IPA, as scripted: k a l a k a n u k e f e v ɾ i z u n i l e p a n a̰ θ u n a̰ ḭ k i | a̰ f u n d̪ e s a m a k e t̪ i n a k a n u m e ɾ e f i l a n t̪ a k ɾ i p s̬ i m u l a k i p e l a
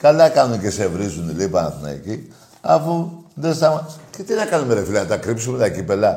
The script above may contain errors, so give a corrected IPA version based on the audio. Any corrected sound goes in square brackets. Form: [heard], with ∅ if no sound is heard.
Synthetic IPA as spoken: k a l a k a n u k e [s] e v ɾ i z u n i l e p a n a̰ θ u n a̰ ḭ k i | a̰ f u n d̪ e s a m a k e t̪ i n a k a n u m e ɾ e f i l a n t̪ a k ɾ i p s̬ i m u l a k i p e l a